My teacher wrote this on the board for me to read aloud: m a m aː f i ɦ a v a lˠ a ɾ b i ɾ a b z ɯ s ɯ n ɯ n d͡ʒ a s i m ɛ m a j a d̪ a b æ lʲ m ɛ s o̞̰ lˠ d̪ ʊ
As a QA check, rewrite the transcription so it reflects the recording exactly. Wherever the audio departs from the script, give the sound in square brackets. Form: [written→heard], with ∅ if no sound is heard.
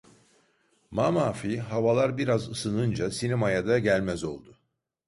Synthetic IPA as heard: m a m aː f i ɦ a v a lˠ a ɾ b i ɾ a [b→∅] z ɯ s ɯ n ɯ n d͡ʒ a s i [m→n] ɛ m a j a d̪ a [b→ɟ] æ lʲ m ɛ [s→z] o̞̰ lˠ d̪ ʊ